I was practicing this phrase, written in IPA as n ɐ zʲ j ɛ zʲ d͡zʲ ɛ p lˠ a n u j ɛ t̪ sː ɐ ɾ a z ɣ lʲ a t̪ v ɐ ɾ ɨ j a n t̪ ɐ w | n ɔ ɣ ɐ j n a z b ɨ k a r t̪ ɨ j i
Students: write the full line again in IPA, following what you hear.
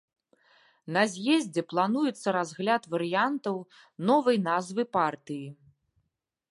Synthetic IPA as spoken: n ɐ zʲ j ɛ zʲ d͡zʲ ɛ p lˠ a n u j ɛ t̪ sː ɐ ɾ a z ɣ lʲ a t̪ v ɐ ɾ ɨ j a n t̪ ɐ w | n ɔ v ɐ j n a z v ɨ p a r t̪ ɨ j i